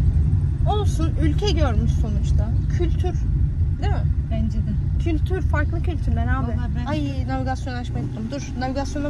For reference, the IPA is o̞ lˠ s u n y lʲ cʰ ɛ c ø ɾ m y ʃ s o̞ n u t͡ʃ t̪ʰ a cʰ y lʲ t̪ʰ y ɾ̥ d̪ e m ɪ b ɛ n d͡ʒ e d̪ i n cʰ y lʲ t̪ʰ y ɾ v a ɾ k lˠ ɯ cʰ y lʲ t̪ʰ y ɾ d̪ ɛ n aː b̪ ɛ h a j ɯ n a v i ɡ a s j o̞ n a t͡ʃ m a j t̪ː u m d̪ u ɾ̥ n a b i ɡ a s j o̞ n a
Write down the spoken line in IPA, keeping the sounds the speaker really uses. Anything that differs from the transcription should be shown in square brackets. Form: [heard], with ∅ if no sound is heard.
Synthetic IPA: o̞ lˠ s u n y lʲ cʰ ɛ [ɟ] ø ɾ m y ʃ s o̞ n u t͡ʃ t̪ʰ a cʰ y lʲ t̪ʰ y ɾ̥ d̪ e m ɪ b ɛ n d͡ʒ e d̪ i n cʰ y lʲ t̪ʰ y ɾ [f] a ɾ k lˠ ɯ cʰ y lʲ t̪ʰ y ɾ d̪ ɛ n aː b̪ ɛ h a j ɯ n a v i ɡ a s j o̞ n a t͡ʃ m a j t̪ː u m d̪ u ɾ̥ n a [v] i ɡ a s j o̞ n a